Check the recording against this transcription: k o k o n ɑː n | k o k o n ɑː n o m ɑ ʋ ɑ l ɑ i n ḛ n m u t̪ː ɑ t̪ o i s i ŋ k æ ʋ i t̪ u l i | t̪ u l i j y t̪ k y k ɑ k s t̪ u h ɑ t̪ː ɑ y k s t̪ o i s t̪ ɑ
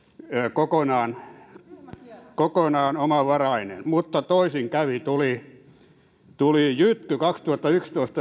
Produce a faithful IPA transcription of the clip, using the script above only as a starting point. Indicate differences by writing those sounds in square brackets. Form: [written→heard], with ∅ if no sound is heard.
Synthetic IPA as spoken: k o k o n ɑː n | k o k o n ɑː n o m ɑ ʋ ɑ [l→r] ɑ i n ḛ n m u t̪ː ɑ t̪ o i s i ŋ k æ ʋ i t̪ u l i | t̪ u l i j y t̪ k y k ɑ k s t̪ u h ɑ t̪ː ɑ y k s t̪ o i s t̪ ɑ